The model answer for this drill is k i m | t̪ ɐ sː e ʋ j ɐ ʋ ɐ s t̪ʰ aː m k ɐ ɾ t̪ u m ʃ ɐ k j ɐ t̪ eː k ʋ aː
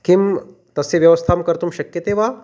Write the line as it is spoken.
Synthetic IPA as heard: k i m | t̪ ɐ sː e ʋ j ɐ ʋ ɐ s t̪ʰ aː m k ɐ ɾ t̪ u m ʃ ɐ k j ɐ t̪ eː ʋ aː